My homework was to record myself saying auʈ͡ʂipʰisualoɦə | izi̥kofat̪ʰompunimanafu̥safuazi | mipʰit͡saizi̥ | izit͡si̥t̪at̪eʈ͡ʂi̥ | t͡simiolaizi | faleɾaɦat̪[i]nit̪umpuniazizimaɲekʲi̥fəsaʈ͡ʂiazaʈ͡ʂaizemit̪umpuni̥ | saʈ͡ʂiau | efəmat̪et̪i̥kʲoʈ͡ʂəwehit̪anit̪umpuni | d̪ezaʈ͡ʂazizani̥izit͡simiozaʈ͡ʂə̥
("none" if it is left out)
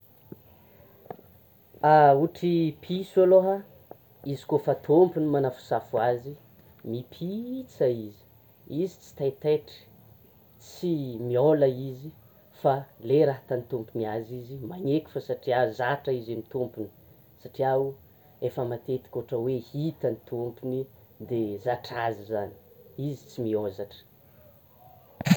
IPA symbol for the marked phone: a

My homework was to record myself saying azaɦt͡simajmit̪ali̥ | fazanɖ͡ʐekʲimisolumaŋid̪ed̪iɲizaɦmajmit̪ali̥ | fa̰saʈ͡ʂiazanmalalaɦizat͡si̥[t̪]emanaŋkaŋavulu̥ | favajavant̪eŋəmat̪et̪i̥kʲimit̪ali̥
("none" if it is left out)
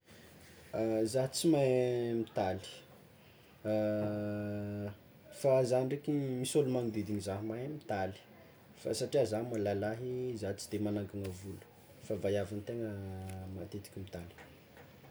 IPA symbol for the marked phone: d̪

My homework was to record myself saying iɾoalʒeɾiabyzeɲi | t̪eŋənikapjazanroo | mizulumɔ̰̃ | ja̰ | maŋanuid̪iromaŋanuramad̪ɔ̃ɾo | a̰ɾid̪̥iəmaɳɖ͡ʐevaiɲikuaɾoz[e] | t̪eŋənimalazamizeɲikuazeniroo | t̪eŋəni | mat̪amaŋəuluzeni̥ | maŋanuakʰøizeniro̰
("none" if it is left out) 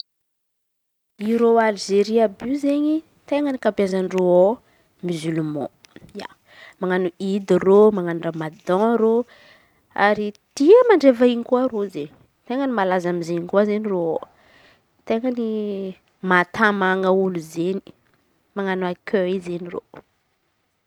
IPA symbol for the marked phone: e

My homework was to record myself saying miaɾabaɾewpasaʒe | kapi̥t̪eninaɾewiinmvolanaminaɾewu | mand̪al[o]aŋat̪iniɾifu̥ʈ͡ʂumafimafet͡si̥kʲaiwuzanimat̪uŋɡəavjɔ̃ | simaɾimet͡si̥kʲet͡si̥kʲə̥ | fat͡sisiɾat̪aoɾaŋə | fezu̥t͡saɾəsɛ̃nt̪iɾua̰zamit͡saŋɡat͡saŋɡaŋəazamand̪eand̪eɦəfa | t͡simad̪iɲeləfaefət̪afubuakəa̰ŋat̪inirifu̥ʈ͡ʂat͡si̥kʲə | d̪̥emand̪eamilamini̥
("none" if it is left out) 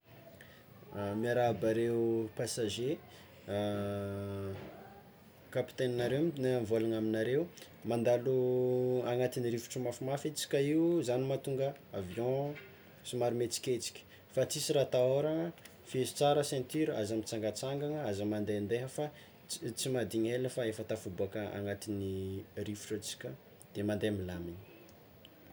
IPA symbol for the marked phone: u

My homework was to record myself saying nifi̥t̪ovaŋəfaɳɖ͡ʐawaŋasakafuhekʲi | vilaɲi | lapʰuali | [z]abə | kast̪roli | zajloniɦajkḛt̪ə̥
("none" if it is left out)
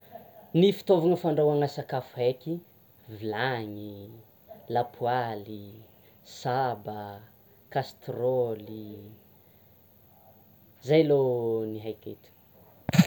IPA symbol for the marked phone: s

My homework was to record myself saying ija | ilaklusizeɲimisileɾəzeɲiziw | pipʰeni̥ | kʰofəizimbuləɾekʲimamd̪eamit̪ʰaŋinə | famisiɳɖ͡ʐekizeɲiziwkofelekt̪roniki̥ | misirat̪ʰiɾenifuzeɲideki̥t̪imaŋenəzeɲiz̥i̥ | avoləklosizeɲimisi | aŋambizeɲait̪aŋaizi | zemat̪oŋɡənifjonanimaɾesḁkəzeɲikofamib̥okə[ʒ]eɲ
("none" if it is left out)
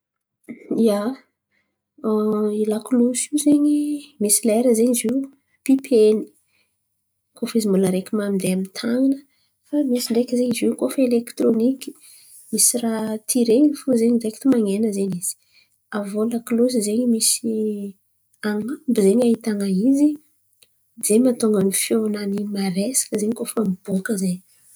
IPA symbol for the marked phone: z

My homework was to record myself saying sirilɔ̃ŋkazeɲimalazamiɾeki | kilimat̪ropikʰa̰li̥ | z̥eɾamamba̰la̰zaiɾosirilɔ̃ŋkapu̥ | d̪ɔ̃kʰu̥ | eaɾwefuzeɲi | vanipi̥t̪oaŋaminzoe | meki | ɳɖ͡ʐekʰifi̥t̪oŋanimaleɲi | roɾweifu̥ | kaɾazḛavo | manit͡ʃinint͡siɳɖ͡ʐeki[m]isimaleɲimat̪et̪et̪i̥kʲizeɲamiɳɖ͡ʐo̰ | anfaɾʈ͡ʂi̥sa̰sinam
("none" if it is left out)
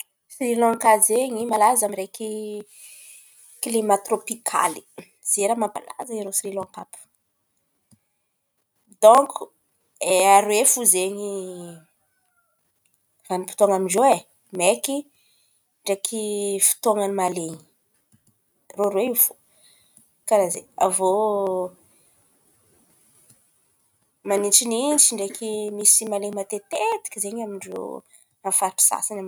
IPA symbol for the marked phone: m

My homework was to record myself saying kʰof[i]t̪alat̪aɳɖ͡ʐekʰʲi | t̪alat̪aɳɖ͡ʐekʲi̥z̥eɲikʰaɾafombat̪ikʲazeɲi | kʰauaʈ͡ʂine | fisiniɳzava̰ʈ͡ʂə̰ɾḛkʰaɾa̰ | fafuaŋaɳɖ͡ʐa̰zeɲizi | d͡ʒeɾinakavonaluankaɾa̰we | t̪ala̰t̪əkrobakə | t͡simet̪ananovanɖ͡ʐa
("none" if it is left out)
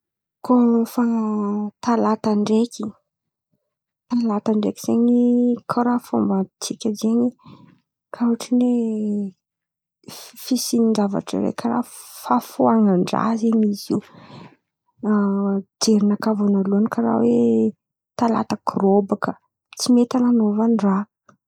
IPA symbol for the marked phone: a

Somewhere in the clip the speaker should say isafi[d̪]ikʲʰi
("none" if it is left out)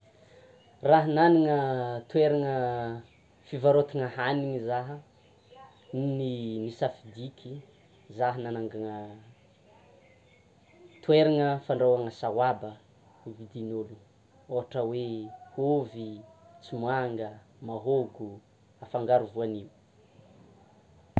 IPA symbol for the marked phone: d̪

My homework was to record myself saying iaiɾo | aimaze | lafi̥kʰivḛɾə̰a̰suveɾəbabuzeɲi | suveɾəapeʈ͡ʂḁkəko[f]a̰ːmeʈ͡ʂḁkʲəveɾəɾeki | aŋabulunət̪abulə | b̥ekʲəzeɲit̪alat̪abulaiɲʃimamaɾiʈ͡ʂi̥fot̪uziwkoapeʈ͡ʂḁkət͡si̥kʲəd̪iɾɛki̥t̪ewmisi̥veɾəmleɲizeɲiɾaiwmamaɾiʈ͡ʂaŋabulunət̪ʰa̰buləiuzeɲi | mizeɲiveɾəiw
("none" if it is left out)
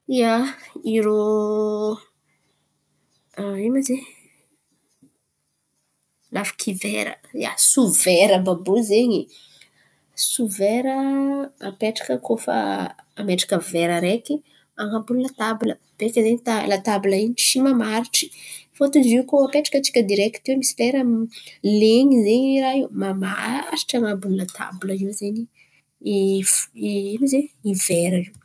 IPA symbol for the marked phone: f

